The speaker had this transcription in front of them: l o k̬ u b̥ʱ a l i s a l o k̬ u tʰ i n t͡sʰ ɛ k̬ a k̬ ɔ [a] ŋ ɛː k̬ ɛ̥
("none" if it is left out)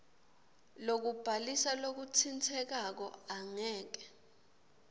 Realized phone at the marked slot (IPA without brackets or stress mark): a